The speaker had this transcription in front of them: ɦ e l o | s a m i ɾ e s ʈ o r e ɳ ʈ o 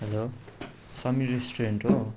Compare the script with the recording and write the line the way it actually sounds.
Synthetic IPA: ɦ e l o | s ʌ m i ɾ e s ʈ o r e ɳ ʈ o